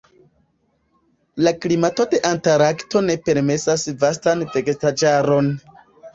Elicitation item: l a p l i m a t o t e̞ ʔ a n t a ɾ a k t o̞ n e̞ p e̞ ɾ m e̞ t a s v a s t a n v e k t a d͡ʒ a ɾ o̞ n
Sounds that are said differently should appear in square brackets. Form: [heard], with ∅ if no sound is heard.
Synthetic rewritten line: l a [k] l i m a t o t e̞ ʔ a n t a ɾ a k t o̞ n e̞ p e̞ ɾ m e̞ [s] a s v a s t a n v e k t a d͡ʒ a ɾ o̞ n

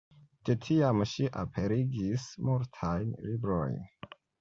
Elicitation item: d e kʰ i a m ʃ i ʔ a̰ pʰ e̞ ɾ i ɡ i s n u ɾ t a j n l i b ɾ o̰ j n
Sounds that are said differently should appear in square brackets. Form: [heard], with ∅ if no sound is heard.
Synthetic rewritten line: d e [tʰ] i a m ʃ i ʔ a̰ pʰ e̞ ɾ i ɡ i s [m] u ɾ [tʰ] a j n l i b ɾ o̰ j n

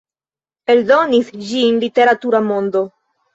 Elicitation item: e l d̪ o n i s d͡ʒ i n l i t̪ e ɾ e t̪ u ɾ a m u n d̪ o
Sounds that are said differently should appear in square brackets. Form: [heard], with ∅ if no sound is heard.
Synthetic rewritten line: e l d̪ o n i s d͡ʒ i n l i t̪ e ɾ [a] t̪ u ɾ a m [o] n d̪ o

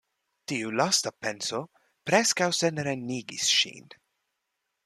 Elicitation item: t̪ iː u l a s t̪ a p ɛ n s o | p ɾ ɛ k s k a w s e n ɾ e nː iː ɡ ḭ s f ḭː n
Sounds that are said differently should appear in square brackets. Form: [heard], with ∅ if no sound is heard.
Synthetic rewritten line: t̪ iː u l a s t̪ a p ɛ n s o | p ɾ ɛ [∅] s k a w s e n ɾ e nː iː ɡ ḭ s [ʃ] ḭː n

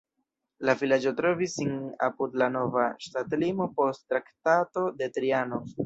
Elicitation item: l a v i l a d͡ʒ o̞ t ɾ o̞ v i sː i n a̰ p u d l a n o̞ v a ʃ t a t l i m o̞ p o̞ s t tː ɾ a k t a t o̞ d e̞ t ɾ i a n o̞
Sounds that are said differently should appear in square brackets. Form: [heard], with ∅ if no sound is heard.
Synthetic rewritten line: l a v i l a d͡ʒ o̞ t ɾ o̞ v i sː i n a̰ p u d l a n o̞ v a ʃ t a t l i m o̞ p o̞ s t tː ɾ a k t a t o̞ d e̞ t ɾ i a n o̞

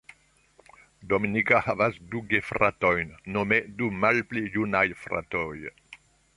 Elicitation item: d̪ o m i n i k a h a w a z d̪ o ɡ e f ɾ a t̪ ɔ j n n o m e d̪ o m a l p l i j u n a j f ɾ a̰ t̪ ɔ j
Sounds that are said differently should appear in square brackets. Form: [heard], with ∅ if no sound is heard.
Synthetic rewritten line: d̪ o m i n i k a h a [v] a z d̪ [u] ɡ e f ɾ a t̪ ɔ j n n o m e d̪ [u] m a l p l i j u n a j f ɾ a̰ t̪ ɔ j

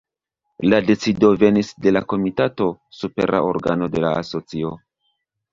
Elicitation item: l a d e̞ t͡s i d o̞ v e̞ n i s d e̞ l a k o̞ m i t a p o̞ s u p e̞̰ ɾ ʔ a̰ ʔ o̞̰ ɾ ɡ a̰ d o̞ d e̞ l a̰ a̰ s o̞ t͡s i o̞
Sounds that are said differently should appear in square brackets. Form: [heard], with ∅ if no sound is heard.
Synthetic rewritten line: l a d e̞ t͡s i d o̞ v e̞ n i s d e̞ l a k o̞ m i t a [t] o̞ s u p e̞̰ ɾ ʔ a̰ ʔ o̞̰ ɾ ɡ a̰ [n] o̞ d e̞ l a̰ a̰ s o̞ t͡s i o̞

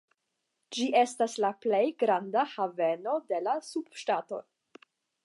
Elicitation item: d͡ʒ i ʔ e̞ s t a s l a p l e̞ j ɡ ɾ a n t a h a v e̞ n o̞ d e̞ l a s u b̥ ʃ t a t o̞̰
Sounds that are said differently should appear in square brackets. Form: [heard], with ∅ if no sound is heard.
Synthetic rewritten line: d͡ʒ i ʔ e̞ s t a s l a p l e̞ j ɡ ɾ a n [d] a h a v e̞ n o̞ d e̞ l a s u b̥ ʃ t a t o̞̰

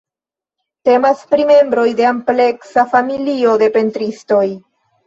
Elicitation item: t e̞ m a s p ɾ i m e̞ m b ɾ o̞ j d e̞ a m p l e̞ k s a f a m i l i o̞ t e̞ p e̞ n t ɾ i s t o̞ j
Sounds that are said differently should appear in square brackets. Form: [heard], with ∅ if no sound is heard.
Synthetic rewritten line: t e̞ m a s p ɾ i m e̞ m b ɾ o̞ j d e̞ a m p l e̞ k s a f a m i l i o̞ [d] e̞ p e̞ n t ɾ i s t o̞ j

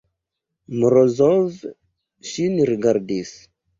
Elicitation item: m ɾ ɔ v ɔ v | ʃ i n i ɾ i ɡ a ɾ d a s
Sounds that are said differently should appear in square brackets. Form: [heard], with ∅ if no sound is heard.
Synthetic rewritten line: m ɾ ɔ [z] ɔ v | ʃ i n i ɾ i ɡ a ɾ d [i] s

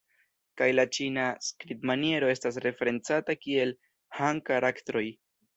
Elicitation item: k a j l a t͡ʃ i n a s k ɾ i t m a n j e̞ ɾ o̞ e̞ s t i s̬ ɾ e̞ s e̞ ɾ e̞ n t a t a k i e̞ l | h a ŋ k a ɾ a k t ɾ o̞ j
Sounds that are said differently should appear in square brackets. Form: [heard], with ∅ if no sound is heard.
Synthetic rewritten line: k a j l a t͡ʃ i n a s k ɾ i t m a n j e̞ ɾ o̞ e̞ s t [a] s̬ ɾ e̞ [f] e̞ ɾ e̞ n [t͡s] a t a k i e̞ l | h a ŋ k a ɾ a k t ɾ o̞ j

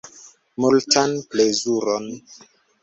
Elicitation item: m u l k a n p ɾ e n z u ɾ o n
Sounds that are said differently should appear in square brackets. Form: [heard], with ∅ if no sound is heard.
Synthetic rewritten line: m u l [t] a n p [l] e [∅] z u ɾ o n

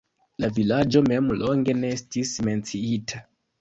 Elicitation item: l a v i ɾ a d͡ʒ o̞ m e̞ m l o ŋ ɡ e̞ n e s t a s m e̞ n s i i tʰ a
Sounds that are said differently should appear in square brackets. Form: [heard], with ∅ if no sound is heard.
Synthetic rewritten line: l a v i [l] a d͡ʒ o̞ m e̞ m l o ŋ ɡ e̞ n e s t [i] s m e̞ n [t͡s] i i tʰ a

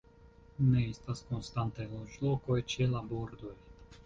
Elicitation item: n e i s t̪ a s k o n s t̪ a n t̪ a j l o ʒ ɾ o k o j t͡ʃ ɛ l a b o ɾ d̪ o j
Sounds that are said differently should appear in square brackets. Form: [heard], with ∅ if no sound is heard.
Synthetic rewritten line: n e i s t̪ a s k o n s t̪ a n t̪ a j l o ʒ [l] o k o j t͡ʃ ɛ l a b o ɾ d̪ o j

